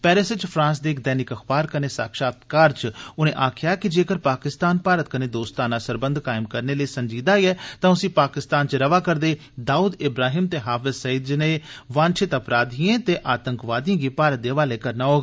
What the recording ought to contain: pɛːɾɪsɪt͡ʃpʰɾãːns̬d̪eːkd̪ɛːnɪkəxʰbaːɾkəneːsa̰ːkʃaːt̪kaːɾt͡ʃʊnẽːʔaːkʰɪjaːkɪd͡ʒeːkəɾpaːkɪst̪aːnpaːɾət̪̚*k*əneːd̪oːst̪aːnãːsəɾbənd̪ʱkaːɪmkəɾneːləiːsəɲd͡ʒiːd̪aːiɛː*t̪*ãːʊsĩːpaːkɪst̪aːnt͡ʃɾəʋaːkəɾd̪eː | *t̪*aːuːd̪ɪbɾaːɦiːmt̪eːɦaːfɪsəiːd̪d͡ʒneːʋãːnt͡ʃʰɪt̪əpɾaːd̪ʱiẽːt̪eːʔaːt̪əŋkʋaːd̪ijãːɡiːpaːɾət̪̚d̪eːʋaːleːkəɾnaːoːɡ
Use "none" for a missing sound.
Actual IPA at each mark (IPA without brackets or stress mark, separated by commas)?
k, t̪, d̪